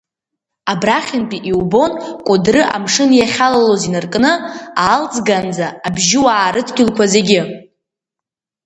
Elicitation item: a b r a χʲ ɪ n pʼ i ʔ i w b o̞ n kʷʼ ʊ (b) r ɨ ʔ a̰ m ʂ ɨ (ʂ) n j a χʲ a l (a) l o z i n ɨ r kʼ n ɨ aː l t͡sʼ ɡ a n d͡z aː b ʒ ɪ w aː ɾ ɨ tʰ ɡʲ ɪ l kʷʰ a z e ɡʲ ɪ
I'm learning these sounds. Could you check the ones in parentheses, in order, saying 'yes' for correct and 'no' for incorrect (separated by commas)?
no, no, yes